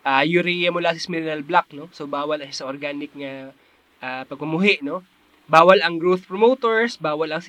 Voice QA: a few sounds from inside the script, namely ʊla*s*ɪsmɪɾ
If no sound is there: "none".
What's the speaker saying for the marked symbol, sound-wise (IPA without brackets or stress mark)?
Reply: s